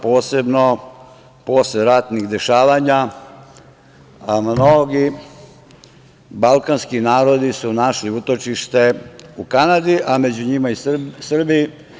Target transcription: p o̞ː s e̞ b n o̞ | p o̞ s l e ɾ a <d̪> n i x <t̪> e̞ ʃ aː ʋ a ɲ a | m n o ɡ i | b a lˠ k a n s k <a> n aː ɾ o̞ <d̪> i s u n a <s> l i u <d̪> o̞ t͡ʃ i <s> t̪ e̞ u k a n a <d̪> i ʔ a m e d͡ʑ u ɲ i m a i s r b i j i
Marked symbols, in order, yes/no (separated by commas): no, no, no, yes, no, no, no, yes